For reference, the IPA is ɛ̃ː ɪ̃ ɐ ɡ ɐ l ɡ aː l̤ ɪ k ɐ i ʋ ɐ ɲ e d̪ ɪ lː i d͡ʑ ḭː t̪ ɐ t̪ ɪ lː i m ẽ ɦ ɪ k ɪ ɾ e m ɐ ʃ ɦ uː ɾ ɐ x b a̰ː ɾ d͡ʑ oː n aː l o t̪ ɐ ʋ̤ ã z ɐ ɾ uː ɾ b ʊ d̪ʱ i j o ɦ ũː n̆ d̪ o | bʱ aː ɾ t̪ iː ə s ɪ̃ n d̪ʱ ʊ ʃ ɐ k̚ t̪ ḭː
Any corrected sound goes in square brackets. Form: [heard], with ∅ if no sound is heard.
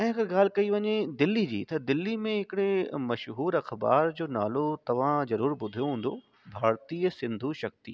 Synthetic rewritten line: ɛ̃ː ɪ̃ ɐ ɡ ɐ [ɾ] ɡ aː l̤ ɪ k ɐ i ʋ ɐ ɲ e d̪ ɪ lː i d͡ʑ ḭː t̪ ɐ [d̪] ɪ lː i m ẽ ɦ ɪ k ɪ [ɽ] e m ɐ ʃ ɦ uː ɾ ɐ x b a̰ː ɾ d͡ʑ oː n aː l o t̪ ɐ ʋ̤ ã z ɐ ɾ uː ɾ b ʊ d̪ʱ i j o ɦ ũː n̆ d̪ o | bʱ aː ɾ t̪ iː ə s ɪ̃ n d̪ʱ [u] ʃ ɐ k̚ t̪ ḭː